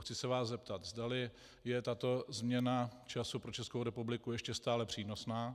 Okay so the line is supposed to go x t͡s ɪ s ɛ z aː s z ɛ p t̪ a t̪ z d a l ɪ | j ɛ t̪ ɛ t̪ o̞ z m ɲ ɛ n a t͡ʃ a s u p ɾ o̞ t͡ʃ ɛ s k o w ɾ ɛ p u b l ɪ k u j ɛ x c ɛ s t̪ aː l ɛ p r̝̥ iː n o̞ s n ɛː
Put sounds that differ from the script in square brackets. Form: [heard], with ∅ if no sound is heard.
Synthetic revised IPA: x t͡s ɪ s ɛ [v] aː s z ɛ p t̪ a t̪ z d a l ɪ | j ɛ t̪ [a] t̪ o̞ z m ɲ ɛ n a t͡ʃ a s u p ɾ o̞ t͡ʃ ɛ s k o w ɾ ɛ p u b l ɪ k u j ɛ [ʃ] c ɛ s t̪ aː l ɛ p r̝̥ iː n o̞ s n [aː]